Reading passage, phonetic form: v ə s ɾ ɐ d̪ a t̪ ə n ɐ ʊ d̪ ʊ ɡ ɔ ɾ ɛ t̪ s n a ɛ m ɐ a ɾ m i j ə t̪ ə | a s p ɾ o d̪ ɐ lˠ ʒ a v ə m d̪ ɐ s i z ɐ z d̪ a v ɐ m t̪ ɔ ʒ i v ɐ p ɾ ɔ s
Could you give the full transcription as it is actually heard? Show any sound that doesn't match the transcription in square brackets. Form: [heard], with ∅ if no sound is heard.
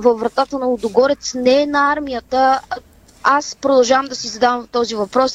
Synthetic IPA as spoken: v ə [f] ɾ ɐ [t̪] a t̪ ə n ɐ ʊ d̪ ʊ ɡ ɔ ɾ ɛ t̪ s n [ɛ] ɛ [n] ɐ a ɾ m i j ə t̪ ə | a s p ɾ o d̪ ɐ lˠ ʒ a v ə m d̪ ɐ s i z ɐ [∅] d̪ a v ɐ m t̪ ɔ [z] i v ɐ p ɾ ɔ s